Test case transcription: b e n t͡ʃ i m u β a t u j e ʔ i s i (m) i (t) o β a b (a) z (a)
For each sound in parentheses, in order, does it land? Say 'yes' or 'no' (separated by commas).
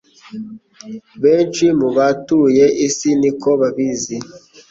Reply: no, no, no, no